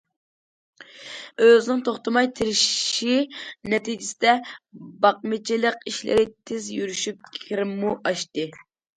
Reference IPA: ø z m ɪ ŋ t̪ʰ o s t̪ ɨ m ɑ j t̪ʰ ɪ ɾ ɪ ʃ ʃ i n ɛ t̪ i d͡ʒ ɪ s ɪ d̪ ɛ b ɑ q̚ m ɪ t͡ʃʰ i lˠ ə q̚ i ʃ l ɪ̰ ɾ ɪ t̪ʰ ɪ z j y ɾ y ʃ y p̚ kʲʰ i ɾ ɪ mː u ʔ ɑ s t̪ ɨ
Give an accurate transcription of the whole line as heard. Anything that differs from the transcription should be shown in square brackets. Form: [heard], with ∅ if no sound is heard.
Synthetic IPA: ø z [n] ɪ ŋ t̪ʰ o [χ] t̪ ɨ m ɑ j t̪ʰ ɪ ɾ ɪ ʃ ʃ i n ɛ t̪ i d͡ʒ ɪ s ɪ d̪ ɛ b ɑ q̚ m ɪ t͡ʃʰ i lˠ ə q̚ i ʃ l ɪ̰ ɾ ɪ t̪ʰ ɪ z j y ɾ y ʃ y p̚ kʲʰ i ɾ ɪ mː u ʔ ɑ [ʃ] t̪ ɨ